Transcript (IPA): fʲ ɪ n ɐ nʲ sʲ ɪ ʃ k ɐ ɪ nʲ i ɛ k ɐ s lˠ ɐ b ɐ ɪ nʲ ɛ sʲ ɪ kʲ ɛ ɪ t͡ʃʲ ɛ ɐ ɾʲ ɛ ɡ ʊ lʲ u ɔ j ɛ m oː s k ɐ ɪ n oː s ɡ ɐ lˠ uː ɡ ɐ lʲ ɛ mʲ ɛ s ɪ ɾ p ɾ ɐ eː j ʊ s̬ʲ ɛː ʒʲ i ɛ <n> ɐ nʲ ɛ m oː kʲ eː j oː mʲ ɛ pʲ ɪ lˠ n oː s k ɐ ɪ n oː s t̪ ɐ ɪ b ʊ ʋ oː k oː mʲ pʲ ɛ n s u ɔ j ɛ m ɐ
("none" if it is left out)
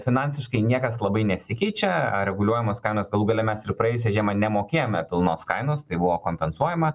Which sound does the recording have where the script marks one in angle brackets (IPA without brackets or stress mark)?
m